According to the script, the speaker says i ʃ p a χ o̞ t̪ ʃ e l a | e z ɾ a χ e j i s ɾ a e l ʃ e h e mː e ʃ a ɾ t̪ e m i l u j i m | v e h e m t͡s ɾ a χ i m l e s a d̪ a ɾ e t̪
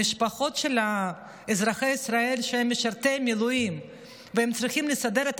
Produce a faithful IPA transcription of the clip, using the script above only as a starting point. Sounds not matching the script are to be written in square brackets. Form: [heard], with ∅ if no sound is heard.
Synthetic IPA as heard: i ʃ p a χ o̞ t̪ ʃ e l a | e z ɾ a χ e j i s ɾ a e l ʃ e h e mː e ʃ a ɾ t̪ e m i l u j i m | v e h e m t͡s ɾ [i] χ i m l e s a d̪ [e] ɾ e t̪

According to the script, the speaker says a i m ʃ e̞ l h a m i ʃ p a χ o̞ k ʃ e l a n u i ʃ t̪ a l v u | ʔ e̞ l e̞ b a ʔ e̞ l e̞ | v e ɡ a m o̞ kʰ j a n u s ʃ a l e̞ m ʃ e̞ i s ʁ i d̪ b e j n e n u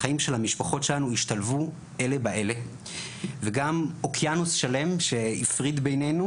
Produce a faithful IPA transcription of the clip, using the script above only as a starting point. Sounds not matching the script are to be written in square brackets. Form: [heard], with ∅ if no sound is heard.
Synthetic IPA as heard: a i m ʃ e̞ l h a m i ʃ p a χ o̞ [t] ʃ e l a n u i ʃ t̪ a l v u | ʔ e̞ l e̞ b a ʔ e̞ l e̞ | v e ɡ a m o̞ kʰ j a n u s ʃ a l e̞ m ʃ e̞ i [f] ʁ i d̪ b e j n e n u

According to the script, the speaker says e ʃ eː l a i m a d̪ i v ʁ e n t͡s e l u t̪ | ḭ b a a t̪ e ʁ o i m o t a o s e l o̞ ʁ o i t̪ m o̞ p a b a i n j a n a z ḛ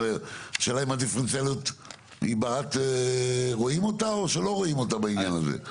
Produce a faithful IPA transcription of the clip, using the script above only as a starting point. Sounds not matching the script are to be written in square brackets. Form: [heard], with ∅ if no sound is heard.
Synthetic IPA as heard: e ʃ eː l a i m a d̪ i [f] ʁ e n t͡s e l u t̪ | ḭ b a a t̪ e ʁ o i m o t a o [ʃ] e l o̞ ʁ o i [∅] m o̞ [t] a b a i n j a n a z ḛ

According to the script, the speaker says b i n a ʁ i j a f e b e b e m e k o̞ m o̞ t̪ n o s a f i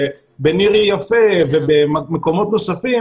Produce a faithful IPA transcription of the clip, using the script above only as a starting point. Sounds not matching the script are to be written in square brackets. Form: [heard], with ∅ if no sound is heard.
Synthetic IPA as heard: b [e] n [i] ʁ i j a f e [v] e b e m e k o̞ m o̞ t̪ n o s a f i

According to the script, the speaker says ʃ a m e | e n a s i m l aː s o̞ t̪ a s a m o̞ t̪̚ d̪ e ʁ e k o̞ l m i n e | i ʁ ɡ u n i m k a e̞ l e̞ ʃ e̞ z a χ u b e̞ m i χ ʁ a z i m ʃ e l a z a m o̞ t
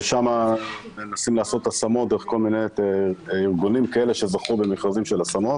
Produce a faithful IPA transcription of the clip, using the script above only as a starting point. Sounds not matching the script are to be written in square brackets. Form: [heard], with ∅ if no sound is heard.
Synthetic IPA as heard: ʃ a m [a] | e n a s i m l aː s o̞ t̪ a s a m o̞ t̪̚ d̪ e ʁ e k o̞ l m i n e | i ʁ ɡ u n i m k a e̞ l e̞ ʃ e̞ z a χ u b e̞ m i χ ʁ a z i m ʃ e l a [s] a m o̞ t

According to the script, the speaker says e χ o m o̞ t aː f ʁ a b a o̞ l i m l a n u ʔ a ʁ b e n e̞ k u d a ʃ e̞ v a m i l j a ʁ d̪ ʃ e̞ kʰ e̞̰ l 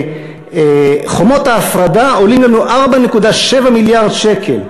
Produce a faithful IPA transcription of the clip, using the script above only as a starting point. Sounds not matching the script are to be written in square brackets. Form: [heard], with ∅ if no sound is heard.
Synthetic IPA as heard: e χ o m o̞ t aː f ʁ a [d] a o̞ l i m l a n u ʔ a ʁ b [a] n e̞ k u d a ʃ e̞ v a m i l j a ʁ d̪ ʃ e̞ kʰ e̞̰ l

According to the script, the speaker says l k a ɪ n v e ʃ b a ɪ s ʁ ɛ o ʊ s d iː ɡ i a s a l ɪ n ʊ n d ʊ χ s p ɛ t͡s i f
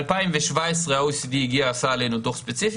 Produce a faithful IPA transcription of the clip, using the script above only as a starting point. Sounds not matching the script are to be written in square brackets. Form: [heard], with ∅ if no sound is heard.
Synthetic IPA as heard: l [p] a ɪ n v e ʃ [v] a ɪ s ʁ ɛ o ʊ s d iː ɡ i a s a l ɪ n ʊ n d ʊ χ s p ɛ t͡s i f

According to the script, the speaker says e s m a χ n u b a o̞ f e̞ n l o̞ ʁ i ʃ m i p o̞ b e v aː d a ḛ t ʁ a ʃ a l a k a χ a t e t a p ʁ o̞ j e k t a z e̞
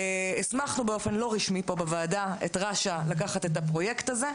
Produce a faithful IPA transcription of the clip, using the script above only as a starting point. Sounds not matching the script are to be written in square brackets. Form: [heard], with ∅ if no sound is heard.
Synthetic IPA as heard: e s m a χ n u b [e] o̞ f e̞ n l o̞ ʁ i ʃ m i p o̞ b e v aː d a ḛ t ʁ a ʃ a l a k a χ a t e t a p ʁ o̞ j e k t a z e̞

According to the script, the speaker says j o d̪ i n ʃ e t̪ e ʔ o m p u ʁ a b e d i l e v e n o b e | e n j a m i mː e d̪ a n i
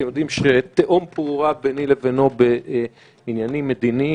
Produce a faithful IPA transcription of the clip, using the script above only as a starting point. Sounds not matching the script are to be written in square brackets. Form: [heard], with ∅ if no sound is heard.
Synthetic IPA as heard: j o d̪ i [m] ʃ e t̪ e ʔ o m p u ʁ a b e [n] i l e v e n o b e | [i] n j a [n] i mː e d̪ [i] n i

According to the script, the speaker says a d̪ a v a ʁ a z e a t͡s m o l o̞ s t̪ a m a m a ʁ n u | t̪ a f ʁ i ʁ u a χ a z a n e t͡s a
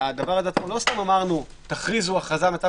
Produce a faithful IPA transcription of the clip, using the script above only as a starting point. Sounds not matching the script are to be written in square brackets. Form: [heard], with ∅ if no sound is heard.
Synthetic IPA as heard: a d̪ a v a ʁ a z e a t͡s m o l o̞ s t̪ a m a m a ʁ n u | t̪ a [χ] ʁ i [z] u a χ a z a [m] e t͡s a

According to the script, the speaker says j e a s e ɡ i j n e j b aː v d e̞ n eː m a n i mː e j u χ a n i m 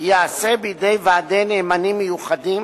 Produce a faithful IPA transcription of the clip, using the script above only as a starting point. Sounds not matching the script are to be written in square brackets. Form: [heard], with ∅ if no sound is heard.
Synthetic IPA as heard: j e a s e [b] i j [d] e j [v] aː [∅] d e̞ n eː m a n i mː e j u χ a [d] i m

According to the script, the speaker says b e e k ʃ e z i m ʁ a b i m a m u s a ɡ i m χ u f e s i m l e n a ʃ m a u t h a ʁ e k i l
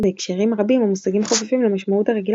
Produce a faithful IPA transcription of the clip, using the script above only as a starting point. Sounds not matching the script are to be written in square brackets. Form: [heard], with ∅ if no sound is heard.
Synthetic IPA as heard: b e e k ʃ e [ʁ] i m ʁ a b i m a m u s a ɡ i m χ [o] f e [f] i m l e [m] a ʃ m a u t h a ʁ e [ɡ] i l

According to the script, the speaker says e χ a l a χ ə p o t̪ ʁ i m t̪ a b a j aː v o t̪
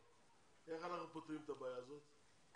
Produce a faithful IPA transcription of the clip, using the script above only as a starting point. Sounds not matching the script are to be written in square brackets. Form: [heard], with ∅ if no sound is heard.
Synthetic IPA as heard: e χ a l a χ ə p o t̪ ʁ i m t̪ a b a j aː [z] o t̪

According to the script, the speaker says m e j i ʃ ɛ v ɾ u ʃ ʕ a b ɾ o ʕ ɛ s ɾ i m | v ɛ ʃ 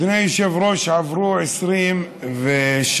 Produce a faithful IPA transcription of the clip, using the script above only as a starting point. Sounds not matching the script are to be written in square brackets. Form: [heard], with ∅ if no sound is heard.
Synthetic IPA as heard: [n] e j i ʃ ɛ v ɾ [o] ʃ ʕ a [v] ɾ [u] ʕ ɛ s ɾ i m | v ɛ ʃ

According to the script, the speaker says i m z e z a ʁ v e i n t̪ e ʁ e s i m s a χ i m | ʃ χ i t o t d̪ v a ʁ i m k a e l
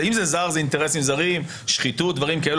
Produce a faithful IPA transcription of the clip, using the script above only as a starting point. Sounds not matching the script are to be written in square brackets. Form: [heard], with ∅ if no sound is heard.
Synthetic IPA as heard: i m z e z a ʁ [z] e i n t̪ e ʁ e s i m [z] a [ʁ] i m | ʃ χ i t [u] t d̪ v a ʁ i m k a e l

